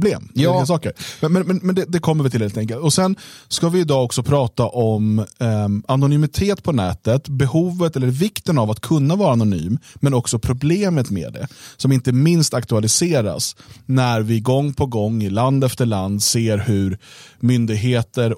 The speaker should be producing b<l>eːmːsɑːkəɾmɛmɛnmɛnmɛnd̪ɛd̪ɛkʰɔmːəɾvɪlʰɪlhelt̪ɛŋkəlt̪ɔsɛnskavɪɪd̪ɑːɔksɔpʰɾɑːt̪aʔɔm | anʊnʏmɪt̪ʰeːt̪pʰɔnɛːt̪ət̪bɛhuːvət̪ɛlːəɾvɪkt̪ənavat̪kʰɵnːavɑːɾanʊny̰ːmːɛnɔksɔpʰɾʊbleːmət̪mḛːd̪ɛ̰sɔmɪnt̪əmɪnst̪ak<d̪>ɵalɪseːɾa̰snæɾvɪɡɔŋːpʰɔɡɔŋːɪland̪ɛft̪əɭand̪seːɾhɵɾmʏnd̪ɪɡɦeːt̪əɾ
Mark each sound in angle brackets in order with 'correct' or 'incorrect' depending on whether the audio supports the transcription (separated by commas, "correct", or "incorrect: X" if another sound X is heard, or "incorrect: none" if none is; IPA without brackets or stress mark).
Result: correct, incorrect: t̪